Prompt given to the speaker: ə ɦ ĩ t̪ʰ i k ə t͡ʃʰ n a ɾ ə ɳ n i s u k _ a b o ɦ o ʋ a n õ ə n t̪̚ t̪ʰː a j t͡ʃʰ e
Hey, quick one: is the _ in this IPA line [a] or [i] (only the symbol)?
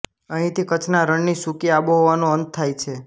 i